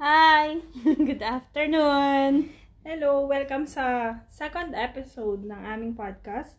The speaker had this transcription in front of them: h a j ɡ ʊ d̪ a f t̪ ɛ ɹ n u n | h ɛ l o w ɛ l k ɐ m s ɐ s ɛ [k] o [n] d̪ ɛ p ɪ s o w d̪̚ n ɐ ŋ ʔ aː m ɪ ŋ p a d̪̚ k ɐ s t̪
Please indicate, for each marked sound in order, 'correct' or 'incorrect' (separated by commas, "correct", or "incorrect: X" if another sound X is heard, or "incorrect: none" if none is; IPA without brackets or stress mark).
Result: correct, correct